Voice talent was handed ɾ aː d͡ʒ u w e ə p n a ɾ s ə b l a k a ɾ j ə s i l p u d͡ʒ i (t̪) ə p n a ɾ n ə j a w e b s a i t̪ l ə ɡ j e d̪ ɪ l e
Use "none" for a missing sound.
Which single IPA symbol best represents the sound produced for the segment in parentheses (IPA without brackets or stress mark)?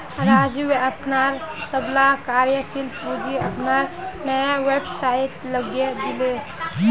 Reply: none